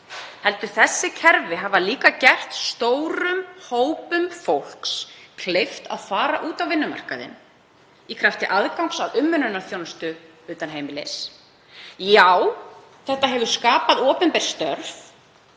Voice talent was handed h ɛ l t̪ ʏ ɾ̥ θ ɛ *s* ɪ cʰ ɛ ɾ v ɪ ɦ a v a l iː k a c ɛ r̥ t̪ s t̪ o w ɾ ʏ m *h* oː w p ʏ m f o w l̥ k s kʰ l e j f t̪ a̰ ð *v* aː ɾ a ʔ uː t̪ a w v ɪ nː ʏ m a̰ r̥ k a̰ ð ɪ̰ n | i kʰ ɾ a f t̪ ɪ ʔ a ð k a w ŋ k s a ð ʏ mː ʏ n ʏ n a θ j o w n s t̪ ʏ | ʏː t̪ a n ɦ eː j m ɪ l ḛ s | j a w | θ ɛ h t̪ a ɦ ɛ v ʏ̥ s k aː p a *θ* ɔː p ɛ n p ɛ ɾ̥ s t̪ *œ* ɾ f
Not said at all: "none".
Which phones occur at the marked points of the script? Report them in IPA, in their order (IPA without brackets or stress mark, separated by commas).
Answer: sː, h, f, ð, œ